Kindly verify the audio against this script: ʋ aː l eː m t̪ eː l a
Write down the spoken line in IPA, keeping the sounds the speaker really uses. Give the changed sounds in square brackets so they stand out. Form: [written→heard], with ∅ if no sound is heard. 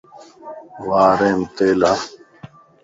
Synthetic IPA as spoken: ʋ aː [l→ɾ] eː m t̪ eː l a